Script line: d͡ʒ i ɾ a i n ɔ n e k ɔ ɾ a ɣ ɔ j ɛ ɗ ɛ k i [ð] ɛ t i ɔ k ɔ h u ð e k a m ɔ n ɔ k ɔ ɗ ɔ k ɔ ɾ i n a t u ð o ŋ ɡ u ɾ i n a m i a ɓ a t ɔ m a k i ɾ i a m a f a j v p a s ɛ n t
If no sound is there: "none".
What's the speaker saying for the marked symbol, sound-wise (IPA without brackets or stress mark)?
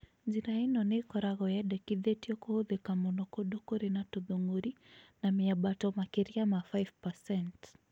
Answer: ð